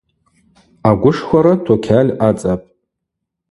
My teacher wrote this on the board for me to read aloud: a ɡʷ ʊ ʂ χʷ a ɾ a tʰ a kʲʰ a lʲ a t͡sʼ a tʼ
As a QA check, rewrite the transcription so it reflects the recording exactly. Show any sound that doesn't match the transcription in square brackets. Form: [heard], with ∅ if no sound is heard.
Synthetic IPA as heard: a ɡʷ ʊ ʂ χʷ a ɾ a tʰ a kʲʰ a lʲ a t͡sʼ a [pʼ]